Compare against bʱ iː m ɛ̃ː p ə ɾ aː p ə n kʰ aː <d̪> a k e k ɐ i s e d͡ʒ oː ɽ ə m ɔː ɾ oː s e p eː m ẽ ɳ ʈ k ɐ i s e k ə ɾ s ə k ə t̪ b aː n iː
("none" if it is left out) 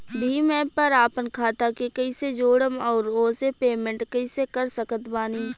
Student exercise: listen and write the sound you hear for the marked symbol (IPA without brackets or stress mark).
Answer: t̪